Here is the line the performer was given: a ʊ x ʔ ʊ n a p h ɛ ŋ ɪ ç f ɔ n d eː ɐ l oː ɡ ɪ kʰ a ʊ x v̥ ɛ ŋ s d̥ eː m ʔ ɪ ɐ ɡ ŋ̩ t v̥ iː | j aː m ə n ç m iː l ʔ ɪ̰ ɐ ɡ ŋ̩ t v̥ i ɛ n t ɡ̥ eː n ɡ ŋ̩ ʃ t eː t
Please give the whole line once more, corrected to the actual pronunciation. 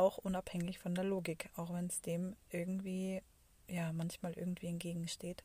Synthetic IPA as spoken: a ʊ x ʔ ʊ n a p h ɛ ŋ ɪ ç f ɔ n d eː ɐ l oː ɡ ɪ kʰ a ʊ x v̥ ɛ n s d̥ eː m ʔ ɪ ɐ ɡ ŋ̩ t v̥ iː | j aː m a n ç m aː l ʔ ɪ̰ ɐ ɡ ŋ̩ t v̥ iː ɛ n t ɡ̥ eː ɡ ŋ̩ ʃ t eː t